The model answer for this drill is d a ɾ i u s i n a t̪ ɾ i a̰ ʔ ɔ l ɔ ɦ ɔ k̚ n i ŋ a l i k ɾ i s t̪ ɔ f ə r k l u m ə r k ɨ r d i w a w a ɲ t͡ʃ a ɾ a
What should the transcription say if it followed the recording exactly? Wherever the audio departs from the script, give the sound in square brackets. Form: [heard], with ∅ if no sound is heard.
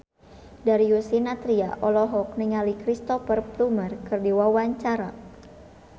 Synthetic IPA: d a ɾ i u s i n a t̪ ɾ i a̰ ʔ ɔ l ɔ ɦ ɔ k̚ n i ŋ a l i k ɾ i s t̪ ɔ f ə r [p] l u m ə r k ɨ r d i w a w a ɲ t͡ʃ a ɾ a